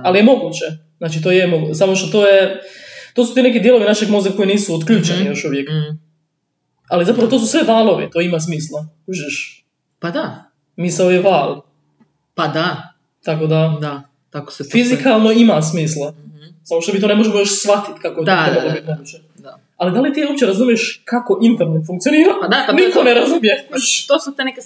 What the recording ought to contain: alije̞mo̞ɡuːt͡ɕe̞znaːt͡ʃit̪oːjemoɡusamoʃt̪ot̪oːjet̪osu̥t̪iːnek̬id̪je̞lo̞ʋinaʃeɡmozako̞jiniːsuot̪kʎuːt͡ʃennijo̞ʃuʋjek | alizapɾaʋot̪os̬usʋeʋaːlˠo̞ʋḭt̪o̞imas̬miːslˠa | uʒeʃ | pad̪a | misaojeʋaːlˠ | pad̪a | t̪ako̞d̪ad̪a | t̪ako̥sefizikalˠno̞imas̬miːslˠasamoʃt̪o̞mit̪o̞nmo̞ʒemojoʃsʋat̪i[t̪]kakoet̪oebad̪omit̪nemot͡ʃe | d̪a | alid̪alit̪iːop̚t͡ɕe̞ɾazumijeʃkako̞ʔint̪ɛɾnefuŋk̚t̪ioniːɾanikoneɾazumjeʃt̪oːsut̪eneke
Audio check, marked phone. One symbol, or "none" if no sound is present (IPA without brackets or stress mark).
t̪